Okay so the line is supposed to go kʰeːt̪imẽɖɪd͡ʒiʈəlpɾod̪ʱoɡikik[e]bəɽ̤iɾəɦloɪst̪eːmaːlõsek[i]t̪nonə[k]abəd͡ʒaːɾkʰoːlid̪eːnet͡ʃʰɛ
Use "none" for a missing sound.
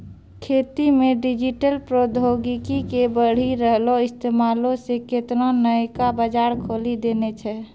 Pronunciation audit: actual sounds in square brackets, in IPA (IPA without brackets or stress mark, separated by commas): e, e, k